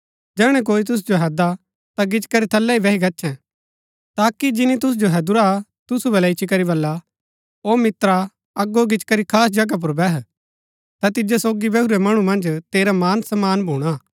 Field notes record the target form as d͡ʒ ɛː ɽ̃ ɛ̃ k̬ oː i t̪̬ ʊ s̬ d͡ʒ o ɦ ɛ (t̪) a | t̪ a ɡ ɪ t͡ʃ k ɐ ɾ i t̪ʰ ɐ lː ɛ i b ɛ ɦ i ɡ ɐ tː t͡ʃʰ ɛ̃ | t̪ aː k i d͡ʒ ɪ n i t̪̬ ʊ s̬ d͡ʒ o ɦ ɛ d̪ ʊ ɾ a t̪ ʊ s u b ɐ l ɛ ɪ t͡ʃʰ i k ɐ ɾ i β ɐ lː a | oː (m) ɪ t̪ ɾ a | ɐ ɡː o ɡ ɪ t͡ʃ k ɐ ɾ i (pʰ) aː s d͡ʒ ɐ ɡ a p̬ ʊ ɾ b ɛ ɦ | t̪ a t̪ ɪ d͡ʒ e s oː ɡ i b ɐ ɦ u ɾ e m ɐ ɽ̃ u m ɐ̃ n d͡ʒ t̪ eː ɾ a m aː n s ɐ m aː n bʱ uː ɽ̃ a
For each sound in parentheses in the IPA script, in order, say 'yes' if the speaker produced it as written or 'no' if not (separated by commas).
no, yes, no